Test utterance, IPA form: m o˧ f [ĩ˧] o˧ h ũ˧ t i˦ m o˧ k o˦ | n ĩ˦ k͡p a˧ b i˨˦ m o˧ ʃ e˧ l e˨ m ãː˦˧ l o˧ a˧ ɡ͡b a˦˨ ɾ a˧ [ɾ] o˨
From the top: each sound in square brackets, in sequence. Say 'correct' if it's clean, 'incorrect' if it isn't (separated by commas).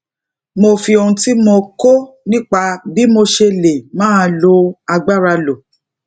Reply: incorrect, incorrect